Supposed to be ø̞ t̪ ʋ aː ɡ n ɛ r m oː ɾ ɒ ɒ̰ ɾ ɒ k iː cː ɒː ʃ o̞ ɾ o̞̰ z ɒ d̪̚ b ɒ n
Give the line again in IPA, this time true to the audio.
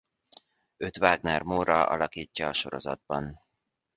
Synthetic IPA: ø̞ t̪ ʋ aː ɡ n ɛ r m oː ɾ ɒ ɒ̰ l ɒ k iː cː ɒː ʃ o̞ ɾ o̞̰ z ɒ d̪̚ b ɒ n

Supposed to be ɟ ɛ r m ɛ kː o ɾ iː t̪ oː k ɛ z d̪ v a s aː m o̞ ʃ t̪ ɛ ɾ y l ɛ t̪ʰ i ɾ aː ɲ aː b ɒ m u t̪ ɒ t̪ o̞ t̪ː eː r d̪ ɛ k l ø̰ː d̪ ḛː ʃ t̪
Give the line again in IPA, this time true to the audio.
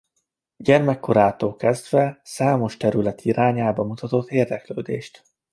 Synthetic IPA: ɟ ɛ r m ɛ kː o ɾ aː t̪ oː k ɛ z d̪ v ɛ s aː m o̞ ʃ t̪ ɛ ɾ y l ɛ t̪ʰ i ɾ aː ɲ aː b ɒ m u t̪ ɒ t̪ o̞ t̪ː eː r d̪ ɛ k l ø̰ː d̪ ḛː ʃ t̪

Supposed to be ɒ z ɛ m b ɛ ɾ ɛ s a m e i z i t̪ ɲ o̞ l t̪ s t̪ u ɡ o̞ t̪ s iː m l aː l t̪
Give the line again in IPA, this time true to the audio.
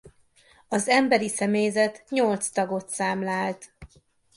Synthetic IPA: ɒ z ɛ m b ɛ ɾ i s ɛ m e j z ɛ t̪ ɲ o̞ l t̪ s t̪ ɒ ɡ o̞ t̪ s aː m l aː l t̪

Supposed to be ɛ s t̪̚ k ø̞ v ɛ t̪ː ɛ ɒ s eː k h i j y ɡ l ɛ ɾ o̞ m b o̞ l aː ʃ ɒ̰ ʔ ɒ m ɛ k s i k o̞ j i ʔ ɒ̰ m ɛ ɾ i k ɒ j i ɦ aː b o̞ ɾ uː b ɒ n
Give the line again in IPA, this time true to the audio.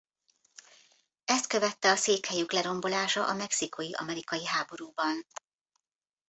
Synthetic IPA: ɛ s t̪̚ k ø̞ v ɛ t̪ː ɛ ɒ s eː k h ɛ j y k l ɛ ɾ o̞ m b o̞ l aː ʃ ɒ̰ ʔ ɒ m ɛ k s i k o̞ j i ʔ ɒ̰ m ɛ ɾ i k ɒ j i ɦ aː b o̞ ɾ uː b ɒ n

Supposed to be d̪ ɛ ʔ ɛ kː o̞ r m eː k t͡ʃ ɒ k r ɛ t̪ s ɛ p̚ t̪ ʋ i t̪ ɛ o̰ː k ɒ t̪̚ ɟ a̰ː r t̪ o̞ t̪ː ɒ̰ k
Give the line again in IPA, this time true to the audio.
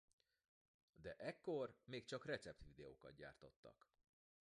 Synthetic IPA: d̪ ɛ ʔ ɛ kː o̞ r m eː k t͡ʃ ɒ k r ɛ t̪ s ɛ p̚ t̪ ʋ i d̪ ɛ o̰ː k ɒ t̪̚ ɟ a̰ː r t̪ o̞ t̪ː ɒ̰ k

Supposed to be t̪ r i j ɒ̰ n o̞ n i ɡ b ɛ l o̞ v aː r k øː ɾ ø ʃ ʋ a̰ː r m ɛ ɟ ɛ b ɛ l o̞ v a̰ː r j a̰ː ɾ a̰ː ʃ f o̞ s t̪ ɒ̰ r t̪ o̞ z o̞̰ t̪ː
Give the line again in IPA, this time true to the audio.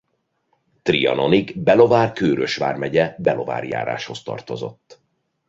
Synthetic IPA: t̪ r i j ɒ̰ n o̞ n i ɡ b ɛ l o̞ v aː r k øː ɾ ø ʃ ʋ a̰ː r m ɛ ɟ ɛ b ɛ l o̞ v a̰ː r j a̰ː ɾ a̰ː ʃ h o̞ s t̪ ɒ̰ r t̪ o̞ z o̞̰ t̪ː

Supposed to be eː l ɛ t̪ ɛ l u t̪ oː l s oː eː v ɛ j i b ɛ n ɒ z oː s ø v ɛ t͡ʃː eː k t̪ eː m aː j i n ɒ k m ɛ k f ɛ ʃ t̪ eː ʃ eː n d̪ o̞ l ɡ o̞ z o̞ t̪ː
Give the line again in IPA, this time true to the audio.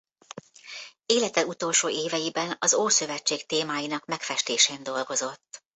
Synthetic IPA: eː l ɛ t̪ ɛ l u t̪ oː l ʃ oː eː v ɛ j i b ɛ n ɒ z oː s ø v ɛ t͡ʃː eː k t̪ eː m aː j i n ɒ k m ɛ k f ɛ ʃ t̪ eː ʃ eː n d̪ o̞ l ɡ o̞ z o̞ t̪ː

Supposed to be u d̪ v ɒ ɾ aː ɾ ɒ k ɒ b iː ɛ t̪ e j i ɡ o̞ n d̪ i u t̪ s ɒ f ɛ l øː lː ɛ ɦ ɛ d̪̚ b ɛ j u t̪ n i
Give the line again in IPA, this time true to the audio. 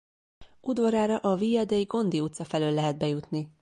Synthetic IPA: u d̪ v ɒ ɾ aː ɾ ɒ ʔ ɒ v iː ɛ d̪ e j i ɡ o̞ n d̪ i u t̪ s ɒ f ɛ l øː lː ɛ ɦ ɛ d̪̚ b ɛ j u t̪ n i

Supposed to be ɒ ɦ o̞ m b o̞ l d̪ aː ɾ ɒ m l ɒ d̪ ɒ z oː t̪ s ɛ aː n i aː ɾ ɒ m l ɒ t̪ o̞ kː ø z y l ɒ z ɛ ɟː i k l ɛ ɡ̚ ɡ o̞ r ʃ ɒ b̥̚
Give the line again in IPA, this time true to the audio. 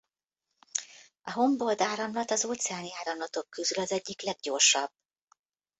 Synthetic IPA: ɒ ɦ o̞ m b o̞ l d̪ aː ɾ ɒ m l ɒ t̪ ɒ z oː t̪ s ɛ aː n i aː ɾ ɒ m l ɒ t̪ o̞ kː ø z y l ɒ z ɛ ɟː i k l ɛ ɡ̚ ɟ o̞ r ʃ ɒ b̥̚

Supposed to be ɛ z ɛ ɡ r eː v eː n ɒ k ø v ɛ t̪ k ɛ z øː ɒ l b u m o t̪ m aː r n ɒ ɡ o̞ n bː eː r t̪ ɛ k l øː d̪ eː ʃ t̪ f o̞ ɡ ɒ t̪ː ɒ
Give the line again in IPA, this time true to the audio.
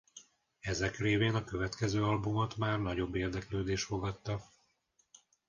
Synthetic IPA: ɛ z ɛ k r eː v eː n ɒ k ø v ɛ t̪ k ɛ z øː ɒ l b u m o t̪ m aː r n ɒ ɟ o̞ bː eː r d̪ ɛ k l øː d̪ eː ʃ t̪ f o̞ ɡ ɒ t̪ː ɒ

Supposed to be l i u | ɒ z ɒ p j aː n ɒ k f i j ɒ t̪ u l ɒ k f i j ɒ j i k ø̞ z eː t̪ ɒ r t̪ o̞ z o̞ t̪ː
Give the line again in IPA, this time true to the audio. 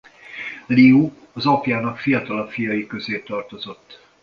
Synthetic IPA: l i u | ɒ z ɒ p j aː n ɒ k f i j ɒ t̪ ɒ l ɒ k f i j ɒ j i k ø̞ z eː t̪ ɒ r t̪ o̞ z o̞ t̪ː

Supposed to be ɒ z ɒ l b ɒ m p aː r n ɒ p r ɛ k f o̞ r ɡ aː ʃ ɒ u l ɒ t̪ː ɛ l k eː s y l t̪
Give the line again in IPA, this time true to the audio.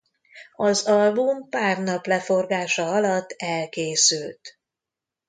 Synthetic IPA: ɒ z ɒ l b u m p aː r n ɒ p l ɛ f o̞ r ɡ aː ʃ ɒ ɒ l ɒ t̪ː ɛ l k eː s y l t̪

